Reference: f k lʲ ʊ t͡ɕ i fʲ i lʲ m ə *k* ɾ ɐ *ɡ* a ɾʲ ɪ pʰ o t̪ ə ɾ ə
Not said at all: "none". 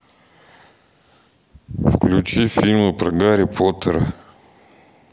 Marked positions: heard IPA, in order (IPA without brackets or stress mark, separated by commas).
p, ɡ